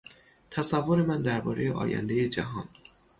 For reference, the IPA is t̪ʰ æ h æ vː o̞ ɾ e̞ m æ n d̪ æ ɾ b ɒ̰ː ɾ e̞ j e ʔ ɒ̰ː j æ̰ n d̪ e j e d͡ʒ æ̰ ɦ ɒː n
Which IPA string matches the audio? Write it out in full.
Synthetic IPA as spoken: t̪ʰ æ s æ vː o̞ ɾ e̞ m æ n d̪ æ ɾ b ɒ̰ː ɾ e̞ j e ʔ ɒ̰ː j æ̰ n d̪ e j e d͡ʒ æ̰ ɦ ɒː n